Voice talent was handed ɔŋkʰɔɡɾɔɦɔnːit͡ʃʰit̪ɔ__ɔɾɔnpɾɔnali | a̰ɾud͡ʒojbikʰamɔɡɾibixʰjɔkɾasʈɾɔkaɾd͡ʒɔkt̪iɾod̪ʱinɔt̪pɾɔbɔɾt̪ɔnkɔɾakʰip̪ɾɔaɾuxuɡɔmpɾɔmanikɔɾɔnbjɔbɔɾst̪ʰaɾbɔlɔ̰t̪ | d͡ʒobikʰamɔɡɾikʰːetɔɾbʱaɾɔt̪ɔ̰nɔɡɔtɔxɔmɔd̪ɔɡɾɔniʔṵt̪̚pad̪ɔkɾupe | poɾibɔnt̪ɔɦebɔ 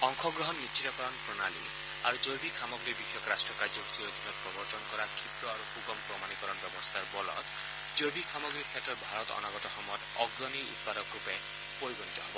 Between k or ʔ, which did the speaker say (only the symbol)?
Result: k